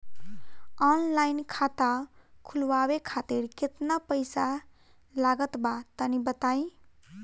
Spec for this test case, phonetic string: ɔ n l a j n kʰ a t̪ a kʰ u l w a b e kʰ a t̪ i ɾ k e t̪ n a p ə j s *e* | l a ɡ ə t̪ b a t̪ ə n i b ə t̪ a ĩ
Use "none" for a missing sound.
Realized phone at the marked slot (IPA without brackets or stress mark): a